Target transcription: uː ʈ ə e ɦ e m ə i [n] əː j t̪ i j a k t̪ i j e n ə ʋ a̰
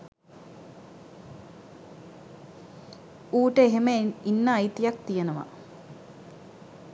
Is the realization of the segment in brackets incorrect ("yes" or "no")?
yes